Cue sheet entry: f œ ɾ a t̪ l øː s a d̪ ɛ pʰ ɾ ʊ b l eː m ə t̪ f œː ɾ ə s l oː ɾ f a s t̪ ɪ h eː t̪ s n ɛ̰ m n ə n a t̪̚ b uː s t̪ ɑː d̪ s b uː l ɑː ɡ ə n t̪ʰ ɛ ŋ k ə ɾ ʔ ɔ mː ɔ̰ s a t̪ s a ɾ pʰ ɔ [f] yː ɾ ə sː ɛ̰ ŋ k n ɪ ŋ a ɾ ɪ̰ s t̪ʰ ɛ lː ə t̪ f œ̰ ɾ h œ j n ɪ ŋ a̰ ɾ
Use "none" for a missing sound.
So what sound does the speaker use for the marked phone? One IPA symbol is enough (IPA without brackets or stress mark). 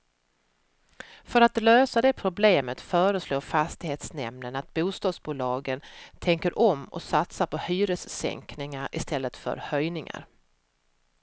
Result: h